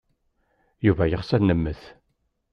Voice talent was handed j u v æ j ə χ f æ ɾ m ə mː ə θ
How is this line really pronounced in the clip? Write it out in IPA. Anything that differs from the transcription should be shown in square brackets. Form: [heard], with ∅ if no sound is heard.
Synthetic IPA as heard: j u v æ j ə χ [s] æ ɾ [n] ə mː ə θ